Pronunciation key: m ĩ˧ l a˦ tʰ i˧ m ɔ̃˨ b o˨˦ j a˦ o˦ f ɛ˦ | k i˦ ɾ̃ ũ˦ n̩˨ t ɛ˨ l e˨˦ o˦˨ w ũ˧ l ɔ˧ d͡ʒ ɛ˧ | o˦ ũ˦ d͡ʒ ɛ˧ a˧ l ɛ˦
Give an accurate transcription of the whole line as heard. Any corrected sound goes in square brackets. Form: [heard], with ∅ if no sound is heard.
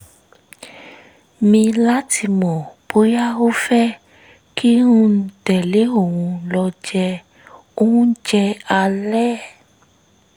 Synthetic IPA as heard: m ĩ˧ l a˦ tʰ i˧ m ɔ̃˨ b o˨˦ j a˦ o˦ f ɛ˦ | k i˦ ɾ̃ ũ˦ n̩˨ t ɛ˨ l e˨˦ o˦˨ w ũ˧ l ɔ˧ d͡ʒ ɛ˧ | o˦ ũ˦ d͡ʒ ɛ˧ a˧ l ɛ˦